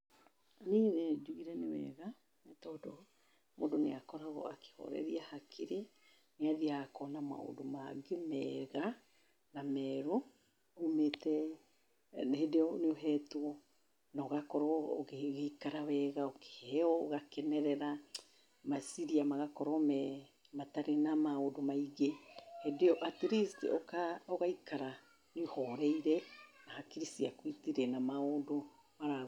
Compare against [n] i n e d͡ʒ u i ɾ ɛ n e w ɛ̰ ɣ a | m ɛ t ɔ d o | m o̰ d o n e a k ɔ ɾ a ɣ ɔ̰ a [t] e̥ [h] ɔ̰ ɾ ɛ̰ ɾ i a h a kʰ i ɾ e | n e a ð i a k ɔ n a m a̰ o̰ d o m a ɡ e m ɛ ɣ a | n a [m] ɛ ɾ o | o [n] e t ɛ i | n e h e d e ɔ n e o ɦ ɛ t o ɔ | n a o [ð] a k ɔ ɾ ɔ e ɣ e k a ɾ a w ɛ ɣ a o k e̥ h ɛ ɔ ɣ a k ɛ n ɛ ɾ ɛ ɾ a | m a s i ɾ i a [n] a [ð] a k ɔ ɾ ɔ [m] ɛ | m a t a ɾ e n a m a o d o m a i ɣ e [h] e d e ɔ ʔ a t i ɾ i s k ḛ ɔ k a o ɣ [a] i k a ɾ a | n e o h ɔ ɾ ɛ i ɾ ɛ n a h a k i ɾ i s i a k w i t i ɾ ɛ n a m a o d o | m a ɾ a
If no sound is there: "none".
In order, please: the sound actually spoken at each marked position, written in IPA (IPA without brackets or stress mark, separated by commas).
n, k, h, m, m, ɣ, m, ɣ, m, h, a